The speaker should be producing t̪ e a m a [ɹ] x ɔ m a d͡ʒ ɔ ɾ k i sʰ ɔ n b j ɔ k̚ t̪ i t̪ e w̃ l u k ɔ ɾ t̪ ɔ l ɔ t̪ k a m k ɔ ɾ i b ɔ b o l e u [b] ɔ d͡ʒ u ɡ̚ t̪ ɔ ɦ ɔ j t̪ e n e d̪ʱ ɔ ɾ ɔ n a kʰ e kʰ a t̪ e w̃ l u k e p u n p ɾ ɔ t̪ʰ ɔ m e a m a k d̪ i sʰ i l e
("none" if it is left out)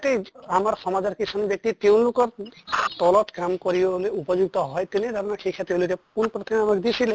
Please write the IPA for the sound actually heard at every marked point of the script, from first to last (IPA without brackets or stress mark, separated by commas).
ɾ, p